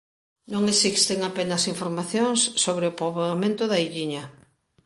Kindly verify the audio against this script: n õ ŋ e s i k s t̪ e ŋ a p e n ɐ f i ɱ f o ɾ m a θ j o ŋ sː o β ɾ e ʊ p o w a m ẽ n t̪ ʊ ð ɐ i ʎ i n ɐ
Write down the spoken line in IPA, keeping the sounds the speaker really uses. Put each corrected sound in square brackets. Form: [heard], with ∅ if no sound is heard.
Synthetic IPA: n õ ŋ e s i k s t̪ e ŋ a p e n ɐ [s] i ɱ f o ɾ m a θ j o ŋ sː o β ɾ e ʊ p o [β] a m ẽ n t̪ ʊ ð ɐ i ʎ i [ɲ] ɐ